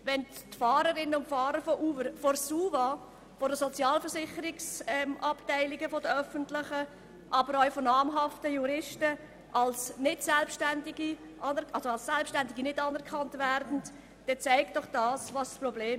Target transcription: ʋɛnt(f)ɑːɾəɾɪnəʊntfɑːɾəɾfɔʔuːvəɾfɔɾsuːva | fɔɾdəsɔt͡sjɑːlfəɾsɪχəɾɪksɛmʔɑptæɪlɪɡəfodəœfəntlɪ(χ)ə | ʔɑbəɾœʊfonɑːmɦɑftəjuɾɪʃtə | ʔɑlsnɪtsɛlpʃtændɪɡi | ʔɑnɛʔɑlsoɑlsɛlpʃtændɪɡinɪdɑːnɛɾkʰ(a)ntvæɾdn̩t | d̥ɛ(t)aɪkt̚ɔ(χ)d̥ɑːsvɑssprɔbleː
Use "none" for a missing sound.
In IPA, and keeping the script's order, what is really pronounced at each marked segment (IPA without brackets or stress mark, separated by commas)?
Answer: f, χ, ɑ, t͡s, χ